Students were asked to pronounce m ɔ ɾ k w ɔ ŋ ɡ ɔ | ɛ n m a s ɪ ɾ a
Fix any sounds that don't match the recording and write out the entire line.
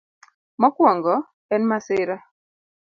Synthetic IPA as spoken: m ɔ k w ɔ ŋ ɡ ɔ | ɛ n m a s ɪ ɾ a